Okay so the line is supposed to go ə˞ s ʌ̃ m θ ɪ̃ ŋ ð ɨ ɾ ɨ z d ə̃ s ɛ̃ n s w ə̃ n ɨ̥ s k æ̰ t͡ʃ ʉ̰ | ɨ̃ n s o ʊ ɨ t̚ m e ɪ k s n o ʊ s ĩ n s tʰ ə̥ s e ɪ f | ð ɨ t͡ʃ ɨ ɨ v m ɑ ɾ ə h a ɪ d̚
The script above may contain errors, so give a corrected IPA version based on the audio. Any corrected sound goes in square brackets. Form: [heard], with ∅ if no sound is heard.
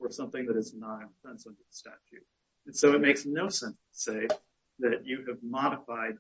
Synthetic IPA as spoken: ə˞ s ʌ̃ m θ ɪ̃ ŋ ð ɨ ɾ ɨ z [n] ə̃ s ɛ̃ n s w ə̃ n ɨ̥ s [t] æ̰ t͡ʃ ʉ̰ | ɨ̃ n s o ʊ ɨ t̚ m e ɪ k s n o ʊ s [ɛ̃] n s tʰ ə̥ s e ɪ f | ð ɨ t͡ʃ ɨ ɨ v m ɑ ɾ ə [f] a ɪ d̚